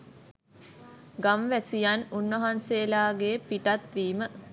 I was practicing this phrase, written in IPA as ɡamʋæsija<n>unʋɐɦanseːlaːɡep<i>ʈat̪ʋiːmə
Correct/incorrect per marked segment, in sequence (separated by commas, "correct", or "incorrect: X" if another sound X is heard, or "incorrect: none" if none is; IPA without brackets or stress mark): correct, correct